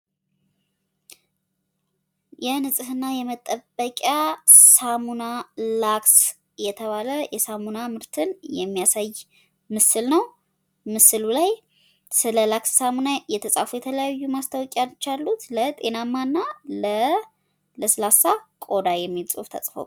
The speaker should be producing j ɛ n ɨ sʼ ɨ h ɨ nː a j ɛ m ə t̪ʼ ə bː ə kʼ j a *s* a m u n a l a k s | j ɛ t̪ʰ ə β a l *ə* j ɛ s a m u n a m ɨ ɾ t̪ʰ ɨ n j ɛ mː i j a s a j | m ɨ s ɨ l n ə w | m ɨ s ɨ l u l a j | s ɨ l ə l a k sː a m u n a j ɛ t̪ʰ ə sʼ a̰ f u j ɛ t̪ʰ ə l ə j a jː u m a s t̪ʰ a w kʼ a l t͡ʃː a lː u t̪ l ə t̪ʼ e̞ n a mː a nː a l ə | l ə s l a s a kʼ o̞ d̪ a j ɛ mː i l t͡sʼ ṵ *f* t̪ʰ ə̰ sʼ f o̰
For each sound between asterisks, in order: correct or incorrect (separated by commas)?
correct, correct, correct